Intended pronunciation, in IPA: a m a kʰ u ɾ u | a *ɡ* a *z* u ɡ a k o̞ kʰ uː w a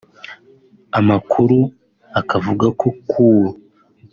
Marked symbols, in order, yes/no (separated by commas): no, no